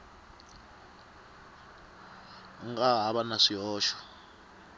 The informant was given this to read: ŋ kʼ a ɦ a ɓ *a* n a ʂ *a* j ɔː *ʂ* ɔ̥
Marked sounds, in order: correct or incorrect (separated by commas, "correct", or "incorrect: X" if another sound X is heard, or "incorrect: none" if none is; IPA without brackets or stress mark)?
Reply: correct, incorrect: i, incorrect: ʃ